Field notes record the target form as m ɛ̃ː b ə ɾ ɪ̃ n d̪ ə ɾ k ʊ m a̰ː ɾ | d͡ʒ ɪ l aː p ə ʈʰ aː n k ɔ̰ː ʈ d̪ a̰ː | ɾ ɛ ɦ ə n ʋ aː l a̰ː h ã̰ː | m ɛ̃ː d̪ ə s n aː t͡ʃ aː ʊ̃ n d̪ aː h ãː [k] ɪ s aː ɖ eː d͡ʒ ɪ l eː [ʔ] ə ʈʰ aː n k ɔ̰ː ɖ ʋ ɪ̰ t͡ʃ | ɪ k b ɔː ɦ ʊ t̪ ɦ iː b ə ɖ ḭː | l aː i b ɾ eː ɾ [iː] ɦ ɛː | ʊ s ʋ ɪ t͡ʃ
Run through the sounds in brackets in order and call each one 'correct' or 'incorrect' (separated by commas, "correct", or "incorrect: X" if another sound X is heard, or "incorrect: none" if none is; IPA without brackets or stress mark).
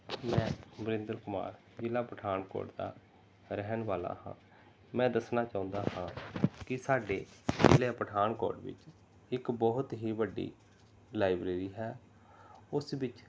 correct, incorrect: p, correct